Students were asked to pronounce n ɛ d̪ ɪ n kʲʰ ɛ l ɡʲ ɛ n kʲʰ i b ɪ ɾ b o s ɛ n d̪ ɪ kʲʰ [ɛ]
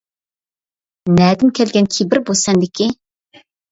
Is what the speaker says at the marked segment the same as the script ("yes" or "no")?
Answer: no